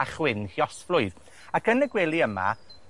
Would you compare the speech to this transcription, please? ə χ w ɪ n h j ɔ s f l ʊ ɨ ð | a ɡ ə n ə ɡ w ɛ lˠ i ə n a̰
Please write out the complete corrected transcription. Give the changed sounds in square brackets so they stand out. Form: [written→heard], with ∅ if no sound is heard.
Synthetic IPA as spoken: [ə→a] χ w ɪ n h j ɔ s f l ʊ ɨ ð | a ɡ ə n ə ɡ w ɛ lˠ i ə [n→m] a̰